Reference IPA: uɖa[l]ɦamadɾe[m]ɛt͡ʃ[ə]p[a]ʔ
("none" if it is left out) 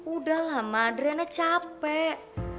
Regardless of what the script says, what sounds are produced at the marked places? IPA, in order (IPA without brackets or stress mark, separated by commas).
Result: l, n, a, ɛ